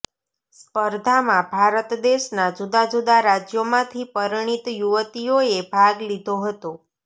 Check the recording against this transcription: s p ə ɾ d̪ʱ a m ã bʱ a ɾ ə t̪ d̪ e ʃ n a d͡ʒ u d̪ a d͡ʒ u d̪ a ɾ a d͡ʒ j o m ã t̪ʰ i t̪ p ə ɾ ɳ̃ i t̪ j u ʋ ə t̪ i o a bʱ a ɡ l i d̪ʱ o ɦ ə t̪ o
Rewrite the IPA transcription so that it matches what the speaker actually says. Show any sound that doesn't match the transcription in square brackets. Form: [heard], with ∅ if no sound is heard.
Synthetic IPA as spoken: s p ə ɾ d̪ʱ a m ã bʱ a ɾ ə t̪ d̪ e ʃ n a d͡ʒ u d̪ a d͡ʒ u d̪ a ɾ a d͡ʒ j o m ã t̪ʰ i [∅] p ə ɾ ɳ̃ i t̪ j u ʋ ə t̪ i o [e] bʱ a ɡ l i d̪ʱ o ɦ ə t̪ o